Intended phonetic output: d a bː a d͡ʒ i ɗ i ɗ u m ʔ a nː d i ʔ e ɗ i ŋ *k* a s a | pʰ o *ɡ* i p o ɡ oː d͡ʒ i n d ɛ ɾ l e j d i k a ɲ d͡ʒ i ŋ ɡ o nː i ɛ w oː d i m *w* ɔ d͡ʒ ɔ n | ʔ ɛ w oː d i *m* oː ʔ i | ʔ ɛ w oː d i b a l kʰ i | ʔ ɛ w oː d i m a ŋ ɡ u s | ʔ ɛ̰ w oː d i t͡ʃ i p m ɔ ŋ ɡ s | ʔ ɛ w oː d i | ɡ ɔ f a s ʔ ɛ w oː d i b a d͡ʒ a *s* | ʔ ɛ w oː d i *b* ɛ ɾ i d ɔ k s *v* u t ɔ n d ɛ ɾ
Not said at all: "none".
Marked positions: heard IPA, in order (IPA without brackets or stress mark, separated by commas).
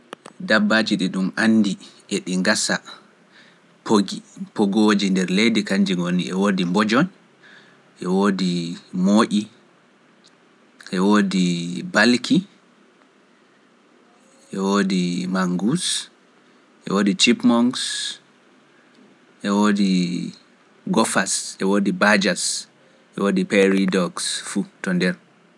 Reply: ɡ, ɡ, b, m, s, p, f